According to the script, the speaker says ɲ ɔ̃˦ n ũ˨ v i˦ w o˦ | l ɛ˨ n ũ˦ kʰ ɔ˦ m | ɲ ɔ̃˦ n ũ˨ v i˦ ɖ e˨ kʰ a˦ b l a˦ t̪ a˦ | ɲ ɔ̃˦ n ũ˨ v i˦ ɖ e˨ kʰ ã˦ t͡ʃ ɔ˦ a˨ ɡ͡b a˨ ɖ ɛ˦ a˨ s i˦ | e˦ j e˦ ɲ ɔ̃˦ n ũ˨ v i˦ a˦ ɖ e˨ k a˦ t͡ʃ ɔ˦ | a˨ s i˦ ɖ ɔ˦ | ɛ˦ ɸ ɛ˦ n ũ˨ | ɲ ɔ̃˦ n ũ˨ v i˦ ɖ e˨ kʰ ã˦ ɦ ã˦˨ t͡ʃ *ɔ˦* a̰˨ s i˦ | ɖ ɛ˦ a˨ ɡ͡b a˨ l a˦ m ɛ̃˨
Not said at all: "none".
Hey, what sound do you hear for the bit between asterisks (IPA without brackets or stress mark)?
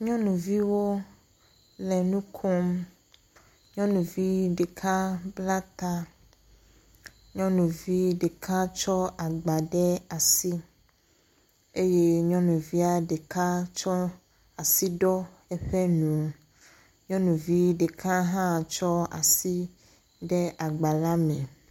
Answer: ɔ˦